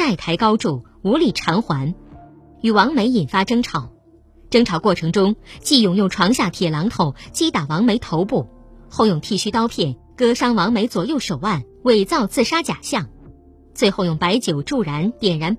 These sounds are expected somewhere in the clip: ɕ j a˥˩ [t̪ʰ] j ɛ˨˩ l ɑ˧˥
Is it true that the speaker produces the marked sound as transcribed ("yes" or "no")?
yes